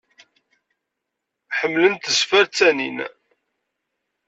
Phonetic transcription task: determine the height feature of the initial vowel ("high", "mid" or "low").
mid